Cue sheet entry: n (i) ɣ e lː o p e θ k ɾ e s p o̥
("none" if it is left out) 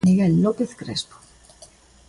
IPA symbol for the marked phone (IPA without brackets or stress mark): i